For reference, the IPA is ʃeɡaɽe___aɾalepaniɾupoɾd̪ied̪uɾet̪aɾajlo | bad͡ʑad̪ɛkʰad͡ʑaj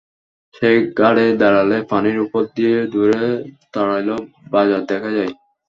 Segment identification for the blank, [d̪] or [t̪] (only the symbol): d̪